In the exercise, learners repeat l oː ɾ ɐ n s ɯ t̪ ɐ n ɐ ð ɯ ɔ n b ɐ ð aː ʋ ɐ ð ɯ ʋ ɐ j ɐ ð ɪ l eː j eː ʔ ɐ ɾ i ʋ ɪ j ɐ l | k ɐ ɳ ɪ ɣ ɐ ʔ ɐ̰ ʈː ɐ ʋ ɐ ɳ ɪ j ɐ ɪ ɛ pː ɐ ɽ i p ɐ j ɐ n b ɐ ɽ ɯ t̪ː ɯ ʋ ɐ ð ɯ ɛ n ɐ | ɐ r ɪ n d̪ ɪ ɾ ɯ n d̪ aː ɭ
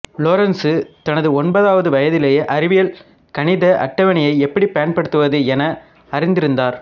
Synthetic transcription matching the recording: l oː ɾ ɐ n s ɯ t̪ ɐ n ɐ ð ɯ ɔ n b ɐ ð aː ʋ ɐ ð ɯ ʋ ɐ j ɐ ð ɪ l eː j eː ʔ ɐ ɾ ɪ ʋ ɪ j ɐ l | k ɐ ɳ ɪ ð ɐ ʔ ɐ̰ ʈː ɐ ʋ ɐ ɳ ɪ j ɐ ɪ ɛ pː ɐ ɽ i p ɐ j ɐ n p ɐ ɽ ɯ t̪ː ɯ ʋ ɐ ð ɯ ɛ n ɐ | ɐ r ɪ n d̪ ɪ ɾ ɯ n d̪ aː ɾ